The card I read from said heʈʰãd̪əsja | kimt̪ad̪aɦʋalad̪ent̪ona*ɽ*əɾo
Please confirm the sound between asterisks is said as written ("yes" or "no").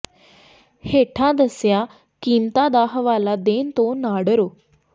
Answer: yes